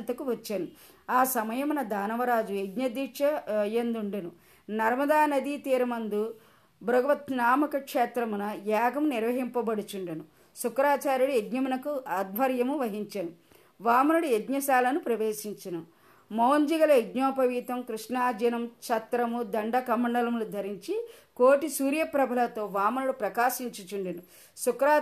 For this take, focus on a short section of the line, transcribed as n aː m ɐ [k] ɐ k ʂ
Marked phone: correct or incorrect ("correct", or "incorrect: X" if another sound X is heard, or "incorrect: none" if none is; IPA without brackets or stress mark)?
correct